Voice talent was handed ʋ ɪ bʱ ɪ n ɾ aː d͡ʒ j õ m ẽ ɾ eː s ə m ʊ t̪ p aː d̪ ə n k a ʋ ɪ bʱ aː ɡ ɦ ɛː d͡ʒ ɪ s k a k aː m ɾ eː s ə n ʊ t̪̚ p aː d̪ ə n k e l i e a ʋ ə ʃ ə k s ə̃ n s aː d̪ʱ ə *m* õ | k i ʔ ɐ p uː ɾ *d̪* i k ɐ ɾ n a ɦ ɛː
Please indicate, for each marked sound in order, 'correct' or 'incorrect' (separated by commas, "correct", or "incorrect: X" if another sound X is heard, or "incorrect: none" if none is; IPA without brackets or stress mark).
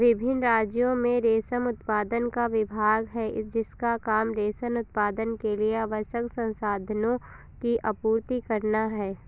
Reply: incorrect: n, incorrect: t̪